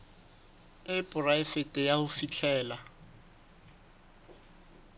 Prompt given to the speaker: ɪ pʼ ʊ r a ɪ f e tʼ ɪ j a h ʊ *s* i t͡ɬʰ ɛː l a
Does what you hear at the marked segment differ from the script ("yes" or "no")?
yes